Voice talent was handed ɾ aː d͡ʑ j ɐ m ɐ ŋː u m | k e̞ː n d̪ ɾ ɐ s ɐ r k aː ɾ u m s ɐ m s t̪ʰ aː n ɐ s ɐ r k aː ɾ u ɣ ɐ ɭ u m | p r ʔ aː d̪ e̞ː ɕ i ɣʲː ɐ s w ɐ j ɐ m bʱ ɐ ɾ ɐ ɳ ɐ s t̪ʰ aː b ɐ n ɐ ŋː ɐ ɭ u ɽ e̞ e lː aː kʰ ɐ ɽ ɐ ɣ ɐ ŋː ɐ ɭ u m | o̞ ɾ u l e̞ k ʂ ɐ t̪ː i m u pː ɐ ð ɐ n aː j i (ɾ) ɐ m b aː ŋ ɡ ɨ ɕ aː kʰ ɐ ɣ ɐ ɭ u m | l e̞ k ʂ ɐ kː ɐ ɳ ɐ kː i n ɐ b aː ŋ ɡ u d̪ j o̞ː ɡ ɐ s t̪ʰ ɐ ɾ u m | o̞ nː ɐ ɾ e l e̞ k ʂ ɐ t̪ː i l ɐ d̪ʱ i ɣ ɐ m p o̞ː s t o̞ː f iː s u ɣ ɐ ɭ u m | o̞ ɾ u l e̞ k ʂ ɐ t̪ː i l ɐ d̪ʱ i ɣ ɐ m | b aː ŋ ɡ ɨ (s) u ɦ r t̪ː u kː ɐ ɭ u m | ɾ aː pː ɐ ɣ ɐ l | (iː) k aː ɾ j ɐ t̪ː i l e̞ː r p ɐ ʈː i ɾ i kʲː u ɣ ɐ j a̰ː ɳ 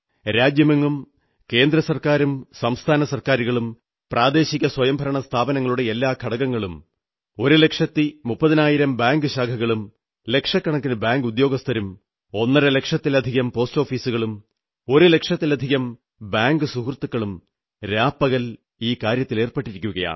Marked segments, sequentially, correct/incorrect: correct, correct, correct

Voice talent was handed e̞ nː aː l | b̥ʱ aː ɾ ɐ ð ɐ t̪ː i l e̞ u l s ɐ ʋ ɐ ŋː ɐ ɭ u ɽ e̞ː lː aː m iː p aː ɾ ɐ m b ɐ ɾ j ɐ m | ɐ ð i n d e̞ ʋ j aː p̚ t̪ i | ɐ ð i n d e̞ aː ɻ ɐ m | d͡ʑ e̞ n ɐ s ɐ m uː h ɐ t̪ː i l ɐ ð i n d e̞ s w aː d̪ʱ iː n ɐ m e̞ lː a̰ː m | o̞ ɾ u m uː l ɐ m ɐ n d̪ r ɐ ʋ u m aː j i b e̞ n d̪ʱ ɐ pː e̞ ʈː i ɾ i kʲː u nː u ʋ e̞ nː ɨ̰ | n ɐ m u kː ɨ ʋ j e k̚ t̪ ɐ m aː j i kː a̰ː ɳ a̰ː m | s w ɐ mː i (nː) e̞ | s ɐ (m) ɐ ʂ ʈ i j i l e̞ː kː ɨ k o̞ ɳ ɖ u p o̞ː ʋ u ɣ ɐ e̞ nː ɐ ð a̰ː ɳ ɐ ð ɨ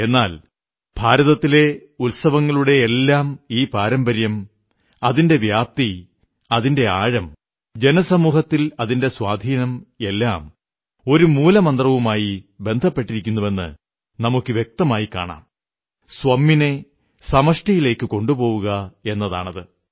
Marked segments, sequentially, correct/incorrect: incorrect: n, correct

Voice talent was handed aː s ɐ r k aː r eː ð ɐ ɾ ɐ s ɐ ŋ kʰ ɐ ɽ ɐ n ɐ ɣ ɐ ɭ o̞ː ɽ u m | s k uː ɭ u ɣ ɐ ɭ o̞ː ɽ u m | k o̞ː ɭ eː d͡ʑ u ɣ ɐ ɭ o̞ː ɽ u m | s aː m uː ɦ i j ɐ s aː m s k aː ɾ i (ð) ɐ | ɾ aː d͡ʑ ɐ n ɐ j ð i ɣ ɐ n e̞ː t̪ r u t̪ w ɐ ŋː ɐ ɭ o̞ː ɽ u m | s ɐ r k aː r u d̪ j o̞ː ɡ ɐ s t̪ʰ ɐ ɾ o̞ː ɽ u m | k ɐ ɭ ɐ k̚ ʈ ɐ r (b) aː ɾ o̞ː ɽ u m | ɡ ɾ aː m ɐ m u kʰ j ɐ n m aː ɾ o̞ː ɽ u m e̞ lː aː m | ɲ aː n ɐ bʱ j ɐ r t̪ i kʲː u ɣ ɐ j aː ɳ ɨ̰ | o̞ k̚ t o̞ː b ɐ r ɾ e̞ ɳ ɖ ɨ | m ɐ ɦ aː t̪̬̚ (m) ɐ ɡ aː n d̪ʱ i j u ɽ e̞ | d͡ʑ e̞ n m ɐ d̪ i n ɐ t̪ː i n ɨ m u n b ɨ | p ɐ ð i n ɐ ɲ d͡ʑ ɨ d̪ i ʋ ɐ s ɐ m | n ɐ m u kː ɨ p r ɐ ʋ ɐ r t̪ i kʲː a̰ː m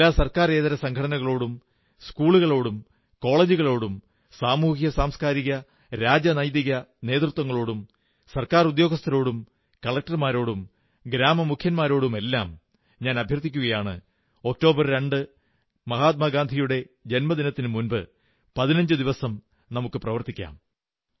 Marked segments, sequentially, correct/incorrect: incorrect: ɣ, incorrect: m, correct

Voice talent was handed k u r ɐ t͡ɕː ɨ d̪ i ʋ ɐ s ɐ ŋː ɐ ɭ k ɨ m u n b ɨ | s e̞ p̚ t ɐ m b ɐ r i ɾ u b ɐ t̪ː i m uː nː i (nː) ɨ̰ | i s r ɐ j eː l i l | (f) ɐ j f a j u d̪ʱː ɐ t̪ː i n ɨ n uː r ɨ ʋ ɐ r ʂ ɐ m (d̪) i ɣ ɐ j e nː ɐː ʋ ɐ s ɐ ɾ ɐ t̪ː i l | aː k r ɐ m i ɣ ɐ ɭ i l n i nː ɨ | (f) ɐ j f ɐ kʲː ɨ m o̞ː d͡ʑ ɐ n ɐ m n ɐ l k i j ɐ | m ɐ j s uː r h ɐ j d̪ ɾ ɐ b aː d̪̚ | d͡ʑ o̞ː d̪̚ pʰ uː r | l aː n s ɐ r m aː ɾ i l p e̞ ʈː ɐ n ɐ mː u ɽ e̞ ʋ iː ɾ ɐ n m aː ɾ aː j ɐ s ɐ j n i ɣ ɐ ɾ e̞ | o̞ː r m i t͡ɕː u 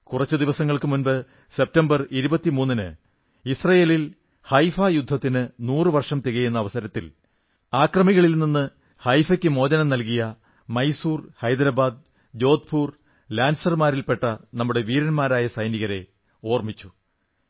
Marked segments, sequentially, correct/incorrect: incorrect: n, incorrect: h, incorrect: t̪, incorrect: h

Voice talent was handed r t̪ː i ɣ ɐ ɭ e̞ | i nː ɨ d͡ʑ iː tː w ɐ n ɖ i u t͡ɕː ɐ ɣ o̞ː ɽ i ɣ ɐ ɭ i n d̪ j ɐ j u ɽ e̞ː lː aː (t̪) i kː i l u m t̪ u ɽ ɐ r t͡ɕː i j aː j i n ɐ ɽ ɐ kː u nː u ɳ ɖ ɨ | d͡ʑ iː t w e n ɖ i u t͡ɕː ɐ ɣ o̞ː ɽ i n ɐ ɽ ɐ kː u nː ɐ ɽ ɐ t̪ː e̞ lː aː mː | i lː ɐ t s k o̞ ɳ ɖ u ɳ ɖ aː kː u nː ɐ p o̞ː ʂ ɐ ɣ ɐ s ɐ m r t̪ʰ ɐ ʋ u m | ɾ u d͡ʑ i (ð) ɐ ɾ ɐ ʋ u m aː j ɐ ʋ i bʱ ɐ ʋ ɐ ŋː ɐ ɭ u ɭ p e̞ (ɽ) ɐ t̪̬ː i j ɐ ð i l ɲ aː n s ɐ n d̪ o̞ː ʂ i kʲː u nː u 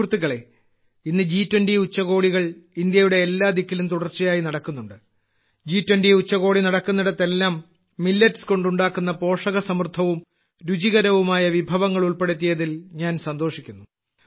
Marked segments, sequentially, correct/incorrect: incorrect: d̪, incorrect: ɣ, correct

